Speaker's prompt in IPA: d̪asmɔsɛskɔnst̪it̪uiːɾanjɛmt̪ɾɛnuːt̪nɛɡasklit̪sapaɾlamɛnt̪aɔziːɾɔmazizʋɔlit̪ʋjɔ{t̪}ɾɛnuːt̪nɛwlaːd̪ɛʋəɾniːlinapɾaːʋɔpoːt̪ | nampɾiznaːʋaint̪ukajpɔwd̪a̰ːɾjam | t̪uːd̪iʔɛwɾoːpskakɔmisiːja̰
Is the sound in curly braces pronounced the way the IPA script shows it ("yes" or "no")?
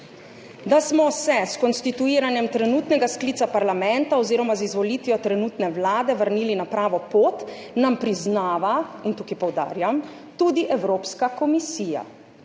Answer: yes